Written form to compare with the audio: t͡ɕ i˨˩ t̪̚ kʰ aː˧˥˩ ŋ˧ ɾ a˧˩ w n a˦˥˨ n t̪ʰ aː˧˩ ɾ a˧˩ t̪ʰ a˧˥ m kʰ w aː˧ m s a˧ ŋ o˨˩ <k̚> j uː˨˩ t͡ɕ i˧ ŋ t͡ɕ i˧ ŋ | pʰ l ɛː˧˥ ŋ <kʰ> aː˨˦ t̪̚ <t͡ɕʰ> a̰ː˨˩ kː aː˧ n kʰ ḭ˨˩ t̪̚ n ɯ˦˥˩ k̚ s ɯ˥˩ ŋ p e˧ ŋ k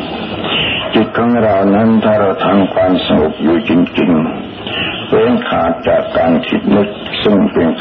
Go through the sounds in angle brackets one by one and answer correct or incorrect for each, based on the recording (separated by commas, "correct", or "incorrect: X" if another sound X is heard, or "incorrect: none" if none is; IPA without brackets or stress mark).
incorrect: p̚, correct, incorrect: t͡ɕ